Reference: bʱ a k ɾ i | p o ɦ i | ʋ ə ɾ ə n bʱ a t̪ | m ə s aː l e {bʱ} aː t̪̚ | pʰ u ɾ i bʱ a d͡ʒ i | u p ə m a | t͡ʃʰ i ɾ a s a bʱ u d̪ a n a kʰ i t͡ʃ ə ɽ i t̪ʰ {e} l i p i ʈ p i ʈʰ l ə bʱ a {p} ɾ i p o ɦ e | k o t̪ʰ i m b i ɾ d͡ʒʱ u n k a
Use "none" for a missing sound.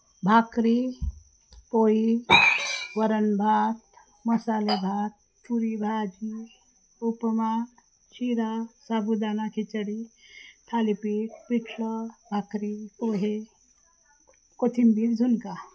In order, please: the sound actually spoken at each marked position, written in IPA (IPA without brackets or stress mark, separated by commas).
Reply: bʱ, a, k